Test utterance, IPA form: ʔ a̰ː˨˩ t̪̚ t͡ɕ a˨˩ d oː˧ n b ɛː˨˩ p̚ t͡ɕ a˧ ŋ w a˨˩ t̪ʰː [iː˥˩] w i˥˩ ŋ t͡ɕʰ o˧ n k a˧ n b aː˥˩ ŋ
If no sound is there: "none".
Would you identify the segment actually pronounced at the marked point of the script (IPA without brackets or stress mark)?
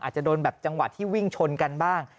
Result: iː˥˩